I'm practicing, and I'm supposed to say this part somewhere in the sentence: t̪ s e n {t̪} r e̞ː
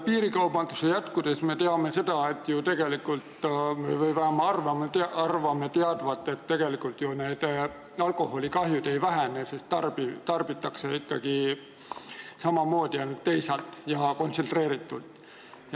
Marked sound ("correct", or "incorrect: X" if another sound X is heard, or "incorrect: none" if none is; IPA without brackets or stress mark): correct